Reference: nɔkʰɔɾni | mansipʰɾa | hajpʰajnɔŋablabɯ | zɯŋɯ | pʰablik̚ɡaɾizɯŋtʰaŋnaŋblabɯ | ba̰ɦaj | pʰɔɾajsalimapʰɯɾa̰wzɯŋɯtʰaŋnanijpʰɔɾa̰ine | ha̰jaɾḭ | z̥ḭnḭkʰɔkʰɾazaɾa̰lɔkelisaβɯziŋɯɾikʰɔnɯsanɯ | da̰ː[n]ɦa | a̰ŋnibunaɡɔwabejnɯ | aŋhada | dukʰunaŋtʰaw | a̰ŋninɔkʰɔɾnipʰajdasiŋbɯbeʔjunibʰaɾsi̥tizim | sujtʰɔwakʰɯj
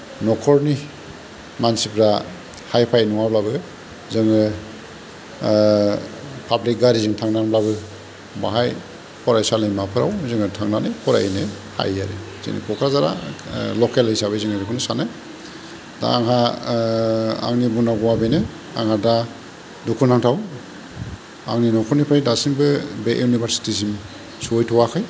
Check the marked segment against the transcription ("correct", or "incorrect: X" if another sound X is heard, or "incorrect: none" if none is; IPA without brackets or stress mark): incorrect: ŋ